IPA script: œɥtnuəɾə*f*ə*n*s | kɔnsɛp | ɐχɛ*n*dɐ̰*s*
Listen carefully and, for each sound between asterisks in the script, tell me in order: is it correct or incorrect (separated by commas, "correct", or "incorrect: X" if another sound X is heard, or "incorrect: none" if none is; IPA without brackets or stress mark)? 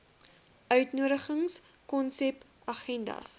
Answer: incorrect: χ, incorrect: ŋ, correct, correct